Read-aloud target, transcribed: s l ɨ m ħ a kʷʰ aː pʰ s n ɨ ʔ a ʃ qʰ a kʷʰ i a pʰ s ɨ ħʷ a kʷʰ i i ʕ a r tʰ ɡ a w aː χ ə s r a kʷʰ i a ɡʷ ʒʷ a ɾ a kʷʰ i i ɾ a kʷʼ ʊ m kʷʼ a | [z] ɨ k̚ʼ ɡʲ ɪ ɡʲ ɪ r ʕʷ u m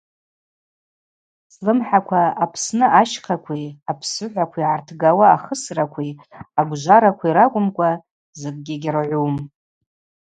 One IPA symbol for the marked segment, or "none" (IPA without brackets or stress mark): z